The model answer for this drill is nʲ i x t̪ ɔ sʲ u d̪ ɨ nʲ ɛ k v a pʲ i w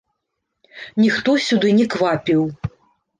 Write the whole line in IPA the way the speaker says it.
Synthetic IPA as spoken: nʲ i x t̪ ɔ sʲ u d̪ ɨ nʲ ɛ k v a pʲ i w